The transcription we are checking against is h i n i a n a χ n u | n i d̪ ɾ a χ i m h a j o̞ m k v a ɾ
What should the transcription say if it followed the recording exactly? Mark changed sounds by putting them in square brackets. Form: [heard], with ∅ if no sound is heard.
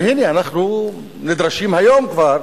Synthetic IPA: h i n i a n a χ n u | n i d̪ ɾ a [ʃ] i m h a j o̞ m k v a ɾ